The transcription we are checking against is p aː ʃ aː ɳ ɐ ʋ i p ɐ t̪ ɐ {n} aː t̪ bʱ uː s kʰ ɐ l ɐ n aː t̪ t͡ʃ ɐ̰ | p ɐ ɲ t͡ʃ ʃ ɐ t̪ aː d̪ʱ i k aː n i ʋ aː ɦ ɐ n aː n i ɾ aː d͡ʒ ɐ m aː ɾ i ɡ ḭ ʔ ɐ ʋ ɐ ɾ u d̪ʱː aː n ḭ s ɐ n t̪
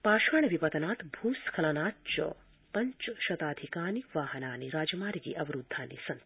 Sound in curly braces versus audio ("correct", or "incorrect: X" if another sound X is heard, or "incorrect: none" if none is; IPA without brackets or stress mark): correct